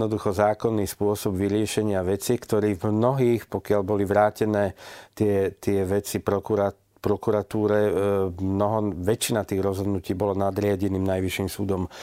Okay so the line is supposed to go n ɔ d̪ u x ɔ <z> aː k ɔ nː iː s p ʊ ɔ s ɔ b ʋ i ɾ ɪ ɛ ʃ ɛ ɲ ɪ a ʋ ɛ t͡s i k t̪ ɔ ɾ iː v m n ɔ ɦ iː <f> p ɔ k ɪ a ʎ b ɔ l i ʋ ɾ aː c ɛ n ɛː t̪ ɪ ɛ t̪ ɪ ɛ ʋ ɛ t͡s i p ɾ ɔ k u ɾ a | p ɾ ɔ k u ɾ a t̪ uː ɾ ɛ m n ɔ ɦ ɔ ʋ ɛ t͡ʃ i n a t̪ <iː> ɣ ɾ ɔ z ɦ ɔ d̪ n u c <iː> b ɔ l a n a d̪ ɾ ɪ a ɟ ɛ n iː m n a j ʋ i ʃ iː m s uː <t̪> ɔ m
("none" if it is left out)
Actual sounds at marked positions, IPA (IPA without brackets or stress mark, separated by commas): z, x, iː, iː, d̪